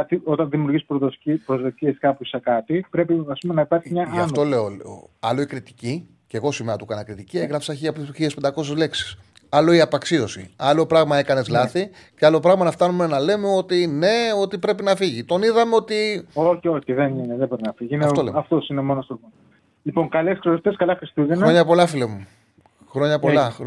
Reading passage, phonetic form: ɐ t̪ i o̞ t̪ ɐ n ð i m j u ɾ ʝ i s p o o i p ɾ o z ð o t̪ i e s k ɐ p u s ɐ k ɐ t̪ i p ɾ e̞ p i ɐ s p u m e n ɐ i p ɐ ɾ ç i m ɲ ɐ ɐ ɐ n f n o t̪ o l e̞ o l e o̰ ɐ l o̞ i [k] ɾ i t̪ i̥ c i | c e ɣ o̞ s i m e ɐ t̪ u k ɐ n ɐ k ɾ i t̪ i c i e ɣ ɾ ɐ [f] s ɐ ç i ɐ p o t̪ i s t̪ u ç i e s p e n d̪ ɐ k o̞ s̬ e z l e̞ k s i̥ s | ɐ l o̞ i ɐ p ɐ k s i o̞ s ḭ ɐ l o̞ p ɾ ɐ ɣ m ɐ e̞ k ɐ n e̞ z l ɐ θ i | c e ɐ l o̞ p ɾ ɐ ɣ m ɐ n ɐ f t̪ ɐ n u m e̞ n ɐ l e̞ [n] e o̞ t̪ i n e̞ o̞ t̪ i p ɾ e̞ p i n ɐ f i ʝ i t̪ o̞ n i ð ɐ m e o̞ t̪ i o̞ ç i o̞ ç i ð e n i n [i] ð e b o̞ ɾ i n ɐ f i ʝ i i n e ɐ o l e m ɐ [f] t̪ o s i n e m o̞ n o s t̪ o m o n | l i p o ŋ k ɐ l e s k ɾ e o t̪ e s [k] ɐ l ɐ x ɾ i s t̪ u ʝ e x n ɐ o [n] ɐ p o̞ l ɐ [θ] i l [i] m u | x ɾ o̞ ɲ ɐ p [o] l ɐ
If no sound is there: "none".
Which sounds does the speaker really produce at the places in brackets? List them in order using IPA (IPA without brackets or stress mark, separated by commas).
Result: k, f, m, e, f, k, ɲ, f, e, o